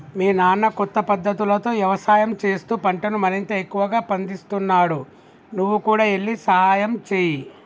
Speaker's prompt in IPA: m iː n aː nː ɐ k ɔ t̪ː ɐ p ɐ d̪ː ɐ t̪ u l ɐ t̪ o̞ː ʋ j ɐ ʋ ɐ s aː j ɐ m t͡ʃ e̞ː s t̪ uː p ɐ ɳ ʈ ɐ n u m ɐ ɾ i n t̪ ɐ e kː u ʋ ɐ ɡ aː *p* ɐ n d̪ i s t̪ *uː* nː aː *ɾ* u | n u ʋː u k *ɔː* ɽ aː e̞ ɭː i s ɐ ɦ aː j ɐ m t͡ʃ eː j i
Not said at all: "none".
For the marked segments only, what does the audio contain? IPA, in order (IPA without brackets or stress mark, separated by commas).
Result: p, u, ɽ, uː